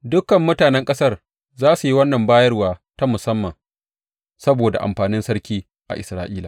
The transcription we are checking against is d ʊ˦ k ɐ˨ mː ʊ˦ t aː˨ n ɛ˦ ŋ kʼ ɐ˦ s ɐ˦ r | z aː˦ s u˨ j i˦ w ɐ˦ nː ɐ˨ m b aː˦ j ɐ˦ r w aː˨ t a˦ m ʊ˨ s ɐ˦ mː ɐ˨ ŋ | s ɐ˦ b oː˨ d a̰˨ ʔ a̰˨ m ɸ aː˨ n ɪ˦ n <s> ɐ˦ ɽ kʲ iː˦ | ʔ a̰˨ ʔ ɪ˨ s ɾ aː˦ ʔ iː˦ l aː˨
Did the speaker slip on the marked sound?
no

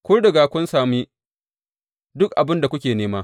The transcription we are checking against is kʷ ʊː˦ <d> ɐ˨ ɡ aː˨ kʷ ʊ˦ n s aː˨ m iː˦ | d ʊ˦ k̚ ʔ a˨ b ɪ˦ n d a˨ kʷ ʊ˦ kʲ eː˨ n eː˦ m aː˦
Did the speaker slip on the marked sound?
no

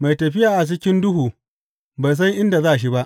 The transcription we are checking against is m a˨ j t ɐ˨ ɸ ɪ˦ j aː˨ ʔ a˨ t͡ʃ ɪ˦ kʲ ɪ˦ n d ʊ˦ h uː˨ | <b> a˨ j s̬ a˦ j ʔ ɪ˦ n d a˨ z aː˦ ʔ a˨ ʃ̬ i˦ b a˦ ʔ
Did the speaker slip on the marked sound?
no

